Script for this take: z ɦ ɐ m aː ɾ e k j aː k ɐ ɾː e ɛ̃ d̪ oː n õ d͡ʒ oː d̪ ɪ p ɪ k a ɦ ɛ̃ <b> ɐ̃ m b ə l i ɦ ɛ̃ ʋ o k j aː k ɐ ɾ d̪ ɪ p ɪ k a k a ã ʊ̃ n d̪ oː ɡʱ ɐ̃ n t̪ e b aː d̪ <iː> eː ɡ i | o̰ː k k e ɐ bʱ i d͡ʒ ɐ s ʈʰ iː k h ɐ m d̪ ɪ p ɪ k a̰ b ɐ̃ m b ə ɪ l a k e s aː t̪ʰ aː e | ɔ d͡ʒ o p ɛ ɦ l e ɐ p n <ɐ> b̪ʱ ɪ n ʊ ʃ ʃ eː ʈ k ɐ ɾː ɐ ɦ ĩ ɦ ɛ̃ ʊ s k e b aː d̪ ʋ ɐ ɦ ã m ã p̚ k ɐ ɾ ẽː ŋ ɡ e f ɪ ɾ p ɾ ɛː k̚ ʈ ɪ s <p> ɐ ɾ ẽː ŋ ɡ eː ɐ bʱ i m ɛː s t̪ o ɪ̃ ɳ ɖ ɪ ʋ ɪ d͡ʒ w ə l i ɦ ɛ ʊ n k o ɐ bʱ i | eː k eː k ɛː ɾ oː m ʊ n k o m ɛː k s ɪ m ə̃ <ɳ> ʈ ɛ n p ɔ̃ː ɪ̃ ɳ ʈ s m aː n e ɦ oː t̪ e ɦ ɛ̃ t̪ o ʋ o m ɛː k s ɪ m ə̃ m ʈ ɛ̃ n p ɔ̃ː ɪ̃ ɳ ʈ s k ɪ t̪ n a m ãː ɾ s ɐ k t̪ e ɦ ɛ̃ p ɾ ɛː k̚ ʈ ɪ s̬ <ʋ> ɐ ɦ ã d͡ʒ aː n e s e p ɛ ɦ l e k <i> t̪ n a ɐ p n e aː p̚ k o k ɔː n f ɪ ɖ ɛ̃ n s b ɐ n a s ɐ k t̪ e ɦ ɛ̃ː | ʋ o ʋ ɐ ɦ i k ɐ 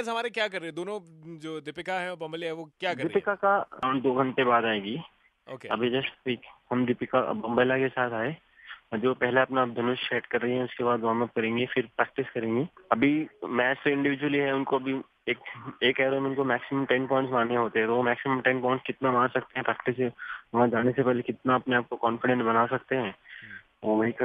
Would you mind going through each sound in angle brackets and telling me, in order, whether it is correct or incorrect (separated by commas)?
correct, incorrect, incorrect, incorrect, incorrect, correct, incorrect